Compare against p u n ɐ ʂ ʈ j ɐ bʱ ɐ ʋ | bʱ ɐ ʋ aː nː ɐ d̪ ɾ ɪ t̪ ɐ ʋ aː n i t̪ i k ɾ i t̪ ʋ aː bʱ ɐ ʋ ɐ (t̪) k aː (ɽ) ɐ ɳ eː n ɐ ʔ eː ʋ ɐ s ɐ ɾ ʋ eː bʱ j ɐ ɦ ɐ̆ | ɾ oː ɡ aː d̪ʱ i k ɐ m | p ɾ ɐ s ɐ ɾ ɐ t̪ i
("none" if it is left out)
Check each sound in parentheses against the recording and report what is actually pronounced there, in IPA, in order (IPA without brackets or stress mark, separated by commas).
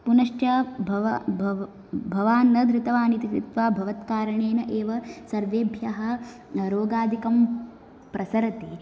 t̪, ɾ